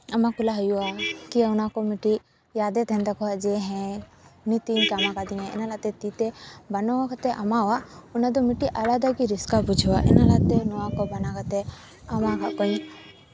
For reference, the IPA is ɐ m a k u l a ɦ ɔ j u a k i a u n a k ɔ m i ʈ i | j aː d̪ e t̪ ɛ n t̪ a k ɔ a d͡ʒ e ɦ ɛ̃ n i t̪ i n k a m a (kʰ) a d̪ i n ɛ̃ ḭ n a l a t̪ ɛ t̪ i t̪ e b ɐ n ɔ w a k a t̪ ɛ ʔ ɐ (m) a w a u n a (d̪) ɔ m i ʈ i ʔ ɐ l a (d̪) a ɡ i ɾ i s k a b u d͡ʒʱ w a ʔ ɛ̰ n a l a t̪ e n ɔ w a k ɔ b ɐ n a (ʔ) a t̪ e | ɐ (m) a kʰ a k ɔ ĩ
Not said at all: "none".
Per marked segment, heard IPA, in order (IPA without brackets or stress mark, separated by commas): k, m, d̪, d̪, k, m